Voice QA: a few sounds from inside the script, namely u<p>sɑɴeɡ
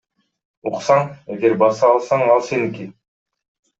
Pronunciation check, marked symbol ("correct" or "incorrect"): incorrect